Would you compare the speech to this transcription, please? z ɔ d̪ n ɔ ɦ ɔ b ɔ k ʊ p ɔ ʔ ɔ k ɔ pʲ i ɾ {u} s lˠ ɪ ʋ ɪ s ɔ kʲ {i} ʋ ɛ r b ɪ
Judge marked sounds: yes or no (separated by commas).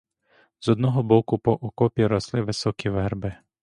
no, yes